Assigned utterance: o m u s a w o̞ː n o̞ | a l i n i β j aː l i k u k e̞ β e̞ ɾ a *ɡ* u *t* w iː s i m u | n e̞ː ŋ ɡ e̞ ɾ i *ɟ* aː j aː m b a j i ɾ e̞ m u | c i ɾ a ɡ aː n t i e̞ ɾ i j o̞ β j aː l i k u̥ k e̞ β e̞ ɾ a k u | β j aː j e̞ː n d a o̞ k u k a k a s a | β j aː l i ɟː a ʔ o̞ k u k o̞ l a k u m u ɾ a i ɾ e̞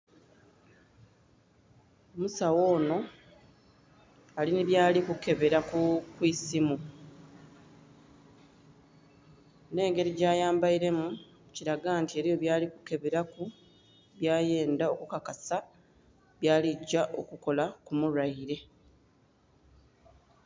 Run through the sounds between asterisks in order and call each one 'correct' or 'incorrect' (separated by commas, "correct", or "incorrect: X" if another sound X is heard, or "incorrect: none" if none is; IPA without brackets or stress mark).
incorrect: k, incorrect: k, correct